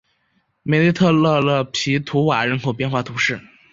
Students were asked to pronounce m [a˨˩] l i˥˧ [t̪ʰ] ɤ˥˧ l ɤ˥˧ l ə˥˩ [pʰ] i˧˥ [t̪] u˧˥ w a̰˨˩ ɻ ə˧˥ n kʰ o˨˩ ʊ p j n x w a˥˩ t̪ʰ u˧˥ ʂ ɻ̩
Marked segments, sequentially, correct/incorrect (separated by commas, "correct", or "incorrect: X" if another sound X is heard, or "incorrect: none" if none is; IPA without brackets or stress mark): incorrect: e˨˩, correct, correct, incorrect: t̪ʰ